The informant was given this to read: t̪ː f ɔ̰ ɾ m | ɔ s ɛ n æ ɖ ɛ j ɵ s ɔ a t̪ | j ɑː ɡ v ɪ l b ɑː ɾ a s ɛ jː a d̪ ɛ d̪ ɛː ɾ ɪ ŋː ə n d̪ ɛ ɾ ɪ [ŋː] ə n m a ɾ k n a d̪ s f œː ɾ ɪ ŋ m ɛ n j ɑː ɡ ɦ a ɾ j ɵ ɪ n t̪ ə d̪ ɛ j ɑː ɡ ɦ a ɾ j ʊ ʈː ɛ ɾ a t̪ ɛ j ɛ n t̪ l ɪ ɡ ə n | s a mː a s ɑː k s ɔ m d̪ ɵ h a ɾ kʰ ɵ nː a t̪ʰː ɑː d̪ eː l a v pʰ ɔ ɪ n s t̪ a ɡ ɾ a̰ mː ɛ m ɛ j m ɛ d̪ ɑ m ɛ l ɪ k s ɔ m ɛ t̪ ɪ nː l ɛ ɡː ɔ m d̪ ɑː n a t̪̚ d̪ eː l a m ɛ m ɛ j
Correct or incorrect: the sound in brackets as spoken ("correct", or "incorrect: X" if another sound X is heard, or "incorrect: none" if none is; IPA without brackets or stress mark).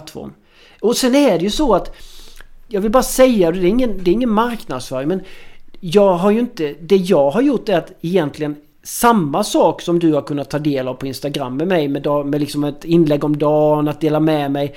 correct